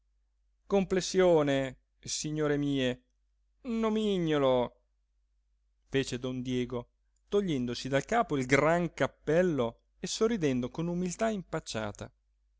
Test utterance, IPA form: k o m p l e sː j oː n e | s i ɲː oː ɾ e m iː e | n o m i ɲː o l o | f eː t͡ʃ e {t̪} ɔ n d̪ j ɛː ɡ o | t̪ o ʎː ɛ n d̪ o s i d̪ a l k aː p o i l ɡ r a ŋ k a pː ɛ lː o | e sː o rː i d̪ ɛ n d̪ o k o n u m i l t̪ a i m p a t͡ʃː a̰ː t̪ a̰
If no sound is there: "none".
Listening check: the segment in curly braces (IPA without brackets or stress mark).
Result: d̪